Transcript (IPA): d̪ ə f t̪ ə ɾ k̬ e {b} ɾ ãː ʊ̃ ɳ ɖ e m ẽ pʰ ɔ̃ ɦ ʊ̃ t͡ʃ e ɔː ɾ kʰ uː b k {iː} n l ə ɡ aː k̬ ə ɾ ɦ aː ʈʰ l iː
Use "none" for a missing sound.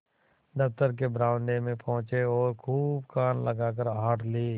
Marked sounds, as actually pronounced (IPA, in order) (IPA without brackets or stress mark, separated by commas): b, aː